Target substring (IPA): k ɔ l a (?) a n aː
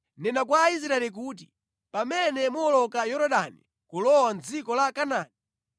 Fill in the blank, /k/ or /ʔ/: k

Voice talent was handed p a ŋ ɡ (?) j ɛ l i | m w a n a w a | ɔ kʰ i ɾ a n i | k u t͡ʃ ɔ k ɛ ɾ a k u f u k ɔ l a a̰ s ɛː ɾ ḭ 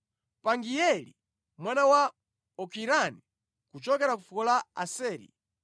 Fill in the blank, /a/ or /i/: i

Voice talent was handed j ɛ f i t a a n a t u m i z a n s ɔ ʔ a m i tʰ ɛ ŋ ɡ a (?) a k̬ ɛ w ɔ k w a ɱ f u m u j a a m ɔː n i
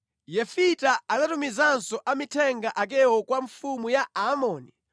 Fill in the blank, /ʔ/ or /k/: ʔ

